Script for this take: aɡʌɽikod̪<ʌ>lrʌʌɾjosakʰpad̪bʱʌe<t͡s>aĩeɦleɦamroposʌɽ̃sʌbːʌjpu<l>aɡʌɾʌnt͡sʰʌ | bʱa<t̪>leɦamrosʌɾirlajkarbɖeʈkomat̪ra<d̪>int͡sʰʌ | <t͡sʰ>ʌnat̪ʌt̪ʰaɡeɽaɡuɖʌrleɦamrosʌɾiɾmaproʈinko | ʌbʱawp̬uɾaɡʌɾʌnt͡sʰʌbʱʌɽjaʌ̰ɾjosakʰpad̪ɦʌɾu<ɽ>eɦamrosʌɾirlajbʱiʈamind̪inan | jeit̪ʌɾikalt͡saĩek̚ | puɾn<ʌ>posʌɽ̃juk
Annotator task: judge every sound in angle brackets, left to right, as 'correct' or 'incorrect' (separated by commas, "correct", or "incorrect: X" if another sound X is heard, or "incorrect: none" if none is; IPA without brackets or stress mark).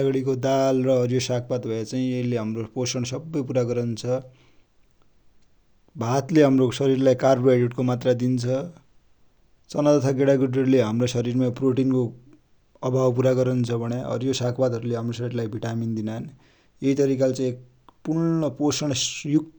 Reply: incorrect: a, correct, incorrect: ɾ, correct, correct, incorrect: t͡s, incorrect: l, correct